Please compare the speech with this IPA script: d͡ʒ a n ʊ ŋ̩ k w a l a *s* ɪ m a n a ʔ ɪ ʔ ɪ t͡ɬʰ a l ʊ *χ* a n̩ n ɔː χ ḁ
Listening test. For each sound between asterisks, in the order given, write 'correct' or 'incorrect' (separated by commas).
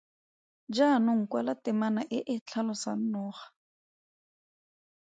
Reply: incorrect, incorrect